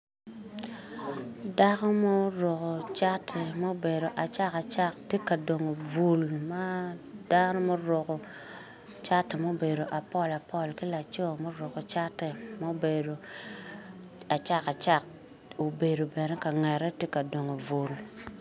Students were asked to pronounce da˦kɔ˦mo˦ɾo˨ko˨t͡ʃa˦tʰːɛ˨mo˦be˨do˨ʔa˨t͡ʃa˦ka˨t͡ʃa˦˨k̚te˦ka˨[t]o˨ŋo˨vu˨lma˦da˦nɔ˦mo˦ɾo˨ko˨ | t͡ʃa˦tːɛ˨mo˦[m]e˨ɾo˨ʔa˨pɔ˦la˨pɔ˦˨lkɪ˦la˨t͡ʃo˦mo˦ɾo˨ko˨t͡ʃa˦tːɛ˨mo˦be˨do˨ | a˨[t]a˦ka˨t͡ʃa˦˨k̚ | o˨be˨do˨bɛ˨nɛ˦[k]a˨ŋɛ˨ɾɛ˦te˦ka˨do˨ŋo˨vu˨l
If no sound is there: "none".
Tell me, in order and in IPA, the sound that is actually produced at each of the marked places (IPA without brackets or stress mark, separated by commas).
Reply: d, b, t͡ʃ, k